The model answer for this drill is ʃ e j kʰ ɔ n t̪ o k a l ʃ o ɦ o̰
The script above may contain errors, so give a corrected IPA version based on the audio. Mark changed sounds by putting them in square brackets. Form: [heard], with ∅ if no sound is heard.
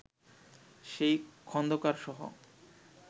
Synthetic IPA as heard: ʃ e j kʰ ɔ n [d̪] o k a [ɾ] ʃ [ɔ] ɦ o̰